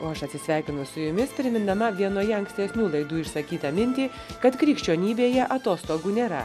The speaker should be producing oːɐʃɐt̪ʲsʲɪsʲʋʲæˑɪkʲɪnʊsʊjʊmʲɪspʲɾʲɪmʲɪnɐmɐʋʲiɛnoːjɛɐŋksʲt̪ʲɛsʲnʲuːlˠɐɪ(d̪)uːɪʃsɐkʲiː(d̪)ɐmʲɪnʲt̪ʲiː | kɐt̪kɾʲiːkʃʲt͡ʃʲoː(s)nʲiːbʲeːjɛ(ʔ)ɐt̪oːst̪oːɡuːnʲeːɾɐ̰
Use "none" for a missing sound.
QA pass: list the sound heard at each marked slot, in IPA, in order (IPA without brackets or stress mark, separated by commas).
d̪, t̪, none, ʔ